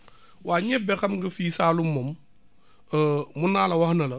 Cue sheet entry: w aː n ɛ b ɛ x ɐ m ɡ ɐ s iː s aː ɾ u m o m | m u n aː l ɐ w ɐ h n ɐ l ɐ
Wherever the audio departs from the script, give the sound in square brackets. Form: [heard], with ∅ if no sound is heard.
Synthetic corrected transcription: w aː [ɲ] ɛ b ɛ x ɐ m ɡ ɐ [f] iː s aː [l] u m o m | m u n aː l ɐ w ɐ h n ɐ l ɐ